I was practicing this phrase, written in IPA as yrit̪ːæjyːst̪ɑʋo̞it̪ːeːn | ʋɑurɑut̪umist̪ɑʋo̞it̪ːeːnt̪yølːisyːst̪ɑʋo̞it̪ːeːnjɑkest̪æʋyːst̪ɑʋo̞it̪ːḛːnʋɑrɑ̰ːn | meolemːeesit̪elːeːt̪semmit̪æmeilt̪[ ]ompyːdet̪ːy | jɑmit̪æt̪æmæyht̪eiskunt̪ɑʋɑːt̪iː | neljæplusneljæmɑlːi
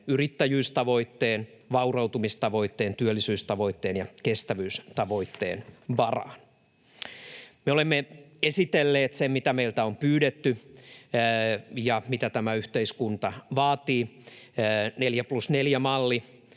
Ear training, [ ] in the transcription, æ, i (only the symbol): æ